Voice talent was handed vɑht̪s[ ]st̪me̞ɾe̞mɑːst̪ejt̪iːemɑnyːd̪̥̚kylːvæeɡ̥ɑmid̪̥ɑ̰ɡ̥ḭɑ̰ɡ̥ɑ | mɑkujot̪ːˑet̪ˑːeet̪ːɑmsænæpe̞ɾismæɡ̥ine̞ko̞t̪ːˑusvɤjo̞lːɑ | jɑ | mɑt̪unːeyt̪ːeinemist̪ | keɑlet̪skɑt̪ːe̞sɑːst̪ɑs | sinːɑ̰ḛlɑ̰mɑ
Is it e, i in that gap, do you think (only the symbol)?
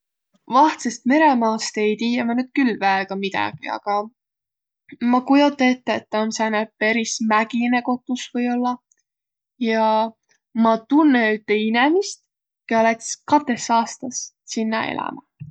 e